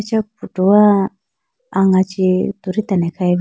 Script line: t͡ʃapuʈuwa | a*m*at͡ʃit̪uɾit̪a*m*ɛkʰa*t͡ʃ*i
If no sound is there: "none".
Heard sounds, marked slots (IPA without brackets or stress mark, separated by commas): ŋ, n, none